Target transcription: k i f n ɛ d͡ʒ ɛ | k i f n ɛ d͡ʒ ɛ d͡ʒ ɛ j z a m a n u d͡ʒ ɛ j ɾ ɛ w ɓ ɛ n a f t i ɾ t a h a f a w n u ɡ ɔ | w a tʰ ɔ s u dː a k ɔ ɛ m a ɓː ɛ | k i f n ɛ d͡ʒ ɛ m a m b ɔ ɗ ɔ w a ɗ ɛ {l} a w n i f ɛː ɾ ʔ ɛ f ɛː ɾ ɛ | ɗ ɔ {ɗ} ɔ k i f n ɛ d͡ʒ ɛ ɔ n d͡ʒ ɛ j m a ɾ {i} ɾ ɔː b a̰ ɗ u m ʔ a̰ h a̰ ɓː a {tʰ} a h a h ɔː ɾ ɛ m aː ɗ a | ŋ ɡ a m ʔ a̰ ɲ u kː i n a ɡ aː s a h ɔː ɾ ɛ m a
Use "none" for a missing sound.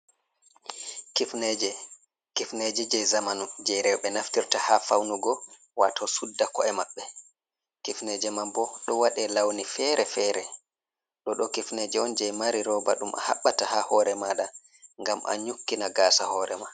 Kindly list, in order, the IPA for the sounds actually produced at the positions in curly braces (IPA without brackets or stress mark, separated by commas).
l, ɗ, i, t